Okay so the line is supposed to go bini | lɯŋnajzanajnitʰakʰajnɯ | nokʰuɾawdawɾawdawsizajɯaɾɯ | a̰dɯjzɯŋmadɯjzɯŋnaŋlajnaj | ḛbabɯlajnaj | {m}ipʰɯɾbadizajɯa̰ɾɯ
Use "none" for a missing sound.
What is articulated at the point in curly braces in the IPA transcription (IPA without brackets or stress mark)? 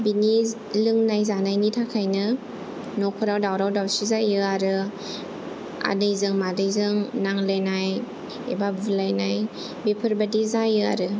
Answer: b